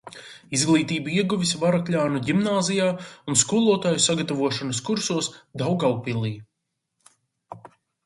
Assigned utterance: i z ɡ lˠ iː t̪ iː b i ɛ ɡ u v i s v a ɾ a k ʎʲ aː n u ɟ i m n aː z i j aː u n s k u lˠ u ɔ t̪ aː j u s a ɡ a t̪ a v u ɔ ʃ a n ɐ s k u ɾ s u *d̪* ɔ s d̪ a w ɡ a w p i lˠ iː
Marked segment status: incorrect: none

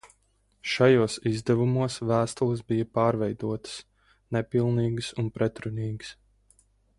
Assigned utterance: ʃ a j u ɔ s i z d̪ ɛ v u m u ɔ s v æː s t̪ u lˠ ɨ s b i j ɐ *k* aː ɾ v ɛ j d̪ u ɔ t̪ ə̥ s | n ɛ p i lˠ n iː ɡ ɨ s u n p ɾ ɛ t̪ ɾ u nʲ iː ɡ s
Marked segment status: incorrect: p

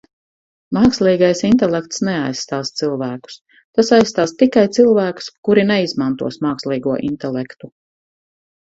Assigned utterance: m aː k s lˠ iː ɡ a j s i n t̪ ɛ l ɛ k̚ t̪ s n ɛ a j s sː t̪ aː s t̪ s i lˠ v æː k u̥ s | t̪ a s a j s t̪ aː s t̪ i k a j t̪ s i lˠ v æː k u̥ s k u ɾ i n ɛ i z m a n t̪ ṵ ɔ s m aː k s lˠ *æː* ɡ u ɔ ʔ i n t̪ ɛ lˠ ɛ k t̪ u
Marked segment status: incorrect: iː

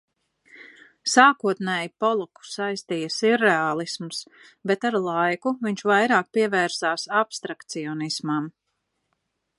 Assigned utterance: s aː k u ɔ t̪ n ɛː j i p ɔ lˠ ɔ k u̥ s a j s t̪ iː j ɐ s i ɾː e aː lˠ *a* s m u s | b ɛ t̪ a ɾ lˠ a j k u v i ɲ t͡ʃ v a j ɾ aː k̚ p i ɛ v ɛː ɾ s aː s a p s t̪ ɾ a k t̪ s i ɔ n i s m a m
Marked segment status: incorrect: i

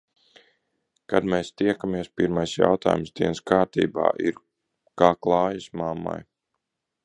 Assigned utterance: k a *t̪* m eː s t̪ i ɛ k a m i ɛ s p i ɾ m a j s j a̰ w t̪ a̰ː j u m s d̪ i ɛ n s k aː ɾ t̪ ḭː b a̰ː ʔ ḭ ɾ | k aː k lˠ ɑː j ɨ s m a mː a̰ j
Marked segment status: incorrect: d̪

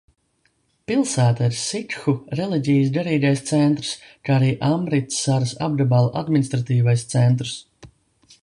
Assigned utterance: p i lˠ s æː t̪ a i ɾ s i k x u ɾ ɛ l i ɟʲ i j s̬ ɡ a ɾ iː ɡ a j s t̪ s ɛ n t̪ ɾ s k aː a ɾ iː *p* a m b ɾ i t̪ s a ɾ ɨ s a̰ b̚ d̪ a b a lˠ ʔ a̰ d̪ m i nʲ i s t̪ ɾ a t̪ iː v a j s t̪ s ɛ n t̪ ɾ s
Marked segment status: incorrect: ʔ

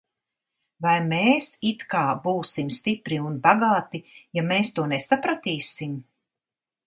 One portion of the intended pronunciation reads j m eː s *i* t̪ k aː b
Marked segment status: correct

